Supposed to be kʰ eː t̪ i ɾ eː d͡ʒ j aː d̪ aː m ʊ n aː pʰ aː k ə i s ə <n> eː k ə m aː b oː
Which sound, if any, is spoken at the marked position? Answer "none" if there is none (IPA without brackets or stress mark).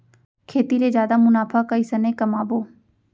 n